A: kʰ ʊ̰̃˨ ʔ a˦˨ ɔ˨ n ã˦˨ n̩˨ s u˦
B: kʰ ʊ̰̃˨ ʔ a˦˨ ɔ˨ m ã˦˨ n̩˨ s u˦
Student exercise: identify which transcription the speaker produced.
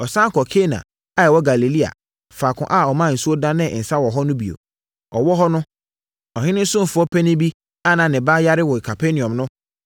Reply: B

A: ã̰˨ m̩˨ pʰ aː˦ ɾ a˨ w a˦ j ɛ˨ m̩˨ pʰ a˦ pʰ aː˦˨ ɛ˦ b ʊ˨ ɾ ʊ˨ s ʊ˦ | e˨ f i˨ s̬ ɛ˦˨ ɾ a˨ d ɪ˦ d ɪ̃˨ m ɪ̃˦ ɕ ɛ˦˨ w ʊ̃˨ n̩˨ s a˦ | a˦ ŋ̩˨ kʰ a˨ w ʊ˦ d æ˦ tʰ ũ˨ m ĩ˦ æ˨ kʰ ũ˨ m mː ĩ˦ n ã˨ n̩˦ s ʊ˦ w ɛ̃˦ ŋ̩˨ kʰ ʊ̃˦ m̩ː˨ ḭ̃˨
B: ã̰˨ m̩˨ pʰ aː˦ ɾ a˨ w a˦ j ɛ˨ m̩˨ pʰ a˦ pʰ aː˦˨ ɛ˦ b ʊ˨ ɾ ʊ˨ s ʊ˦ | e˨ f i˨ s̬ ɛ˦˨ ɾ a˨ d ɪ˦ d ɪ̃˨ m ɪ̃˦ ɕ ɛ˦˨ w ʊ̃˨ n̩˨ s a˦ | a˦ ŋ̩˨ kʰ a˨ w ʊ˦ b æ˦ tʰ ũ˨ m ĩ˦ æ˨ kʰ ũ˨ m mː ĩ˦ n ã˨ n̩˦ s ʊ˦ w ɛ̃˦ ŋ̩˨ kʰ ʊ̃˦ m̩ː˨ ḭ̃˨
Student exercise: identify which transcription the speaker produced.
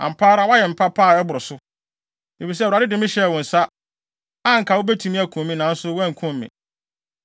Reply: B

